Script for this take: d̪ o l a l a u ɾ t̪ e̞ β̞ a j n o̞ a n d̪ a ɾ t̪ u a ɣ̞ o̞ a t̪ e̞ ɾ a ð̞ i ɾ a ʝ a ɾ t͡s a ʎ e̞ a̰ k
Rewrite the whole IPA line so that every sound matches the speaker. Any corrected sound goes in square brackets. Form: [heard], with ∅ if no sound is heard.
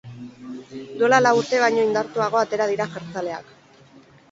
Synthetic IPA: d̪ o l a l a u ɾ t̪ e̞ β̞ a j [ɲ] o̞ [i] n d̪ a ɾ t̪ u a ɣ̞ o̞ a t̪ e̞ ɾ a ð̞ i ɾ a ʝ a ɾ t͡s a [l] e̞ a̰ k

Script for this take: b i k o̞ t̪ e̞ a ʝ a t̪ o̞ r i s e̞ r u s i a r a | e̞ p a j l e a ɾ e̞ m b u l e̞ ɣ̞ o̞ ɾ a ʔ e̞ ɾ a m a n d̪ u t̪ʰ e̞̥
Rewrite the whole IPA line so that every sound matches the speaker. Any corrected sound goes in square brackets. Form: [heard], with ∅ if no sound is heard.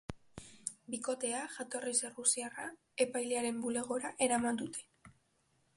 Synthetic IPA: b i k o̞ t̪ e̞ a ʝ a t̪ o̞ r i s e̞ r u s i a r a | e̞ p a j l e a ɾ e̞ m b u l e̞ ɣ̞ o̞ ɾ a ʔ e̞ ɾ a m a n d̪ u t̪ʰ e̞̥

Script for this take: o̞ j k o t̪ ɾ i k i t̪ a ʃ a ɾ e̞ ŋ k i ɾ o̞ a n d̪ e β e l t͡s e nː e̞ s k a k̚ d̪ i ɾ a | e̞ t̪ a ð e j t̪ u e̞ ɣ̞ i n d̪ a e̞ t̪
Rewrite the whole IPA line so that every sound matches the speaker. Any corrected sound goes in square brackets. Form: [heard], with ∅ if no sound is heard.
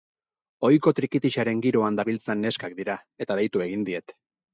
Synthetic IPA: o̞ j k o t̪ ɾ i k i t̪ [i] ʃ a ɾ e̞ ŋ [ɡ] i ɾ o̞ a n d̪ [a] β [i] l t͡s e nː e̞ s k a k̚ d̪ i ɾ a | e̞ t̪ a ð e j t̪ u e̞ ɣ̞ i n d̪ [i] e̞ t̪

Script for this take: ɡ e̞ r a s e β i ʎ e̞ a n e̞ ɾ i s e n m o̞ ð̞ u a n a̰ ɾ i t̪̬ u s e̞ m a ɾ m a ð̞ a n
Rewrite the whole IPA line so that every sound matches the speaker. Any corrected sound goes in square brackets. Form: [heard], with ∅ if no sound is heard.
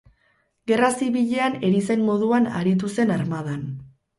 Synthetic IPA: ɡ e̞ r a s [i] β i ʎ e̞ a n e̞ ɾ i s e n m o̞ ð̞ u a n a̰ ɾ i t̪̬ u s e̞ [n] a ɾ m a ð̞ a n

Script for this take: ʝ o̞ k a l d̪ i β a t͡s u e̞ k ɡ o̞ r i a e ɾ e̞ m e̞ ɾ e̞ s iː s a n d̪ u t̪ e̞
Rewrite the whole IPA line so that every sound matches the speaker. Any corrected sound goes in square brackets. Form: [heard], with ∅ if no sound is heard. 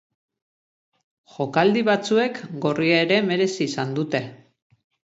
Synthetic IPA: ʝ o̞ k a l d̪ i β a t͡s u e̞ k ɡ o̞ r i a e ɾ e̞ m e̞ ɾ e̞ s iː s a n d̪ u t̪ e̞

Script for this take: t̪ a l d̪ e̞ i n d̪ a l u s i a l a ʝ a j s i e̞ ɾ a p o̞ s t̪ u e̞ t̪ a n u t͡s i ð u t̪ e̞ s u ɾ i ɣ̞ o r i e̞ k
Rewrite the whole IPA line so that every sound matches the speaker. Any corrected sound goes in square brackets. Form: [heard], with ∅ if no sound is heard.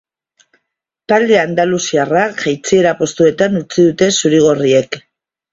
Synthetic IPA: t̪ a l d̪ e̞ [a] n d̪ a l u s i a [r] a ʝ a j [t͡s] i e̞ ɾ a p o̞ s t̪ u e̞ t̪ a n u t͡s i ð u t̪ e̞ s u ɾ i ɣ̞ o r i e̞ k

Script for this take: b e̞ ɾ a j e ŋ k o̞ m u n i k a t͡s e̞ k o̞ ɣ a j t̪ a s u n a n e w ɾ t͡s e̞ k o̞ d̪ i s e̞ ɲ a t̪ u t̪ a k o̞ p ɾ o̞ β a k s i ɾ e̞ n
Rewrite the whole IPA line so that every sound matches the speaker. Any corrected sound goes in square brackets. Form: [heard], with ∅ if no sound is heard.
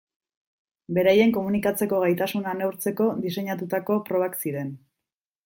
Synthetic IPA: b e̞ ɾ a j e ŋ k o̞ m u n i k a t͡s e̞ k o̞ ɣ a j t̪ a s u n a n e w ɾ t͡s e̞ k o̞ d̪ i s e̞ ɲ a t̪ u t̪ a k o̞ p ɾ o̞ β a k s i ɾ e̞ n

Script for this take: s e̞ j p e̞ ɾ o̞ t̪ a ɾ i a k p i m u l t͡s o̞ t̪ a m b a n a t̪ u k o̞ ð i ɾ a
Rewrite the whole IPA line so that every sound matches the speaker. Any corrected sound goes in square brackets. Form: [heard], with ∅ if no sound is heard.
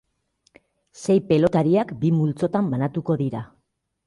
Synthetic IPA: s e̞ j p e̞ [l] o̞ t̪ a ɾ i a k [b] i m u l t͡s o̞ t̪ a m b a n a t̪ u k o̞ ð i ɾ a

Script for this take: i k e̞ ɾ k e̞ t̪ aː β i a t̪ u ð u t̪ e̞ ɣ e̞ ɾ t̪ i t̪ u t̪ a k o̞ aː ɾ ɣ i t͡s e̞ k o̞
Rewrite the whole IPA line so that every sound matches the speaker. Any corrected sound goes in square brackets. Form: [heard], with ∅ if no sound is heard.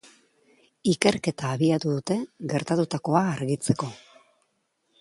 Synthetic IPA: i k e̞ ɾ k e̞ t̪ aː β i a t̪ u ð u t̪ e̞ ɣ e̞ ɾ t̪ [a] t̪ u t̪ a k o̞ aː ɾ ɣ i t͡s e̞ k o̞

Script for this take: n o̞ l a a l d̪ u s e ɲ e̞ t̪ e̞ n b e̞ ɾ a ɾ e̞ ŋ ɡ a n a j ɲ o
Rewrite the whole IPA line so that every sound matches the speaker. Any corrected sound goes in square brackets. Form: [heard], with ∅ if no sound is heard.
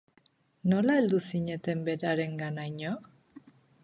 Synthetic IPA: n o̞ l a [e] l d̪ u s [i] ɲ e̞ t̪ e̞ [m] b e̞ ɾ a ɾ e̞ ŋ ɡ a n a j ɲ o

